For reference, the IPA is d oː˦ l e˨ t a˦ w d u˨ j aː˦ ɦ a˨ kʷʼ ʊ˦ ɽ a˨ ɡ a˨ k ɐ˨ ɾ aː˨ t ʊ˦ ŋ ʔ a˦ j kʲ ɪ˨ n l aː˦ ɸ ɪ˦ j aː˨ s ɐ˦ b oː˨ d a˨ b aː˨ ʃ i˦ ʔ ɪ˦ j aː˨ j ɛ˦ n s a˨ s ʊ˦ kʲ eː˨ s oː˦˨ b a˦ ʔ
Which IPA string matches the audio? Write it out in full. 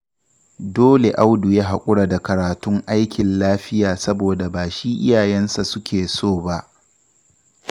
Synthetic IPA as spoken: d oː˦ l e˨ ʔ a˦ w d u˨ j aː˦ ɦ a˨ kʷʼ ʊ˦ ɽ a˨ d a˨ k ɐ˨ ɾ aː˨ t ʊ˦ ŋ ʔ a˦ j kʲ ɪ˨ n l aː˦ ɸ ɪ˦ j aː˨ s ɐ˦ b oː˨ d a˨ b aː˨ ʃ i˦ ʔ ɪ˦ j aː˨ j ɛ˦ n s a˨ s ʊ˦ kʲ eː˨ s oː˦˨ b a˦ ʔ

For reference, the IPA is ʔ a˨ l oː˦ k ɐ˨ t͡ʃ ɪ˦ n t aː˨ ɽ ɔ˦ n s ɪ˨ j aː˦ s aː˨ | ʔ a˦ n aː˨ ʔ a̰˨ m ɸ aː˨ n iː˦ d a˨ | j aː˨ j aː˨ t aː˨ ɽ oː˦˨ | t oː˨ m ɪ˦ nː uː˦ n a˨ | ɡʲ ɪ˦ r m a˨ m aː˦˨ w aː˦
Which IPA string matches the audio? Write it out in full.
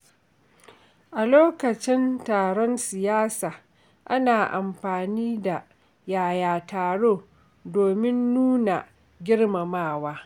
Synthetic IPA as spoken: ʔ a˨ l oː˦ k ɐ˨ t͡ʃ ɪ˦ n t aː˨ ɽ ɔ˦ n s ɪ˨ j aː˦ s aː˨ | ʔ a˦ n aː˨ ʔ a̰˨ m ɸ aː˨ n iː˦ d a˨ | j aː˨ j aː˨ t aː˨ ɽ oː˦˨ | d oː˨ m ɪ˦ nː uː˦ n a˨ | ɡʲ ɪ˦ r m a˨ m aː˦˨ w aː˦

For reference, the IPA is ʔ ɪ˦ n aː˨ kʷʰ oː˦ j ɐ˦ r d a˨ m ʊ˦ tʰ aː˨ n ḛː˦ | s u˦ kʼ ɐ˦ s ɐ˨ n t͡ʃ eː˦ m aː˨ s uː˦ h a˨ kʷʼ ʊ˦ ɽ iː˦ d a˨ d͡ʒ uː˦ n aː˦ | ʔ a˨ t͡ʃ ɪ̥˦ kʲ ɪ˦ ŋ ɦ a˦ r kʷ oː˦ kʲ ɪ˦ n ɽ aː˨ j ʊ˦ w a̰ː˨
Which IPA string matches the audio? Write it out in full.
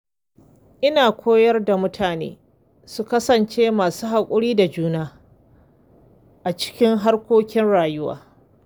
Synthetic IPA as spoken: ʔ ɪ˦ n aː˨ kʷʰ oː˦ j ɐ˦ r d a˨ m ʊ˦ tʰ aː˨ n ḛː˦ | s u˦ k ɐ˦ s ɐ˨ n t͡ʃ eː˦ m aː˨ s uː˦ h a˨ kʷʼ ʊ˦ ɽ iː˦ d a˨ d͡ʒ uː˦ n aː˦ | ʔ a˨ t͡ʃ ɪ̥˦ kʲ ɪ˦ ŋ ɦ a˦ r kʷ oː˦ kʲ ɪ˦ n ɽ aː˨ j ʊ˦ w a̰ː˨

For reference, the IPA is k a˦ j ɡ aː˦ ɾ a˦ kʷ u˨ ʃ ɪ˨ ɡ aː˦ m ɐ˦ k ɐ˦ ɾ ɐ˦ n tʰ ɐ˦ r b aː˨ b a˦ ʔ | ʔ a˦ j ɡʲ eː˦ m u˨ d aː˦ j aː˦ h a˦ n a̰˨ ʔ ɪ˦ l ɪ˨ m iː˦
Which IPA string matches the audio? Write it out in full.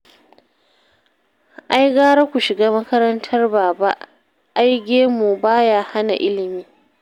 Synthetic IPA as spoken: ʔ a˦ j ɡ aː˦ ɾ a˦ kʷ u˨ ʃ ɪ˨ ɡ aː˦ m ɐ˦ k ɐ˦ ɾ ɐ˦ n tʰ ɐ˦ r b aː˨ b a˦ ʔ | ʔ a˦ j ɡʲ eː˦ m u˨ b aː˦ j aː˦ h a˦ n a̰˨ ʔ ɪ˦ l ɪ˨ m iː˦

